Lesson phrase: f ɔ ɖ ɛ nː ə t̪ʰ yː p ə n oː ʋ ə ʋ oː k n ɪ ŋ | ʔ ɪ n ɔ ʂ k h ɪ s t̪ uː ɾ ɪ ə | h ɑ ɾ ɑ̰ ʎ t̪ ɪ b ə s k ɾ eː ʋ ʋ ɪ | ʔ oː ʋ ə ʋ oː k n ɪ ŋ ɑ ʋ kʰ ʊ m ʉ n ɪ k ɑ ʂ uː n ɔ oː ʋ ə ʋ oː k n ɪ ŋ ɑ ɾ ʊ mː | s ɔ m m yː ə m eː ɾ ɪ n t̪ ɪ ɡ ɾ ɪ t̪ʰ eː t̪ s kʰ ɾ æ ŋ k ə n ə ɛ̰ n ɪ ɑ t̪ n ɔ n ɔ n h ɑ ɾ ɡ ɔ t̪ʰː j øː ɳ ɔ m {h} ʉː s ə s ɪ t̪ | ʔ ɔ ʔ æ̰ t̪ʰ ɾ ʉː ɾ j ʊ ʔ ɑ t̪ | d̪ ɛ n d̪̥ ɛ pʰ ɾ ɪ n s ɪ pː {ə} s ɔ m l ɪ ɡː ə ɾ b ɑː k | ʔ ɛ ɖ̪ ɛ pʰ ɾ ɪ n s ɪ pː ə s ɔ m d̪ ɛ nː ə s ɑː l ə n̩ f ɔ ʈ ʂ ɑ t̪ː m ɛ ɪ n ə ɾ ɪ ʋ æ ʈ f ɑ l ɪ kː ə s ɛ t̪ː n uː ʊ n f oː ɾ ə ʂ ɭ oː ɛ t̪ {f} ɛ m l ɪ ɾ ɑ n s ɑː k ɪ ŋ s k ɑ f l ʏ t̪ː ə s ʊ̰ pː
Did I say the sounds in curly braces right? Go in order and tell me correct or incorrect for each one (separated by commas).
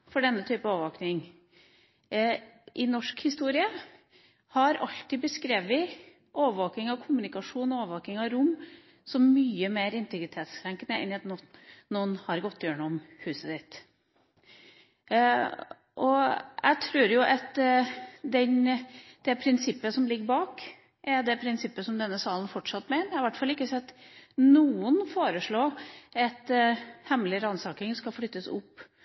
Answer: correct, correct, incorrect